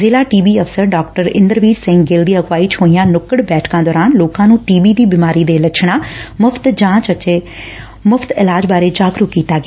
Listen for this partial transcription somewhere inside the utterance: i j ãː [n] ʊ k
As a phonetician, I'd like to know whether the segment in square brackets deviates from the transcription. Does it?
no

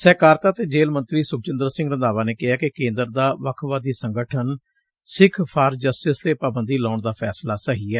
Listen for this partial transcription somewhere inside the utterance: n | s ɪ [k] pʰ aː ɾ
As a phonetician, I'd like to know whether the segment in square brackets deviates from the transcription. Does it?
yes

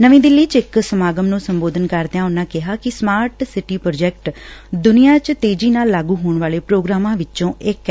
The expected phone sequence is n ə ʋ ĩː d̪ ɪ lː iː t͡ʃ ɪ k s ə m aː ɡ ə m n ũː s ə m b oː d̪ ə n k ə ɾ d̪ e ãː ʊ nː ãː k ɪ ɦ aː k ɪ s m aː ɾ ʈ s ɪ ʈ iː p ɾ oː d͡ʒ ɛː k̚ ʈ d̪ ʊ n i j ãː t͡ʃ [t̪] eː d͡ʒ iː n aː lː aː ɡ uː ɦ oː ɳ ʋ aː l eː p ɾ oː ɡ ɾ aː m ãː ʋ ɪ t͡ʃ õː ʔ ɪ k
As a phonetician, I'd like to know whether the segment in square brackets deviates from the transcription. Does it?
no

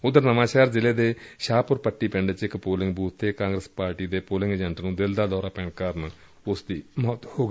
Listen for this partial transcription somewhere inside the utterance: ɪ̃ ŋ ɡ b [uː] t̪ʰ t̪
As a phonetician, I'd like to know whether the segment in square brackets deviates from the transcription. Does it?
no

